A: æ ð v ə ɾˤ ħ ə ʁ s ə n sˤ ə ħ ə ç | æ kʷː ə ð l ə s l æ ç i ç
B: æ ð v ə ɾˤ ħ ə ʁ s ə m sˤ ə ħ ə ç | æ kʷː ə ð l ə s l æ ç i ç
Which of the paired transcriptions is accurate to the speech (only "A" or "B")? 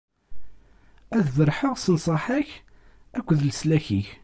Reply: A